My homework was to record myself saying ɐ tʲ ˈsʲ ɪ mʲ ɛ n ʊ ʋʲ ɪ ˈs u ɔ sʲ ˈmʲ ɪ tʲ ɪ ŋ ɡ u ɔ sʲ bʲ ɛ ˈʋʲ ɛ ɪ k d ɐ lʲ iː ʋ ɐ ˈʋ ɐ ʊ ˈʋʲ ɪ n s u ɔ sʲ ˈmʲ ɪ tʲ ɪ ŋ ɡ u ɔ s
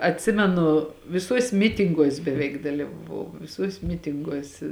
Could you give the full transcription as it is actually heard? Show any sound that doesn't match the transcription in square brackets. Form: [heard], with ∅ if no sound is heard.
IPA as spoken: ɐ tʲ ˈsʲ ɪ mʲ ɛ n ʊ ʋʲ ɪ ˈs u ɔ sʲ ˈmʲ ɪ tʲ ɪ ŋ ɡ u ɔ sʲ bʲ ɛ ˈʋʲ ɛ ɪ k d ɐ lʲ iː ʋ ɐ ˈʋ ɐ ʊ ˈʋʲ ɪ [∅] s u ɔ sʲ ˈmʲ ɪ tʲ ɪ ŋ ɡ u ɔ s